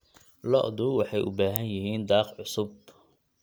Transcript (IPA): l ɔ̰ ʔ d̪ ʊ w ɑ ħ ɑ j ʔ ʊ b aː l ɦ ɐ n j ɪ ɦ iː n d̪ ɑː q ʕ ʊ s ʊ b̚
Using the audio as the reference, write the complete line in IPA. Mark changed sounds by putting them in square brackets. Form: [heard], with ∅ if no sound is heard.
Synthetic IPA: l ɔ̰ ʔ d̪ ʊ w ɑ ħ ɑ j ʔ ʊ b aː [∅] ɦ ɐ n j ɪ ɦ iː n d̪ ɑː q ʕ ʊ s ʊ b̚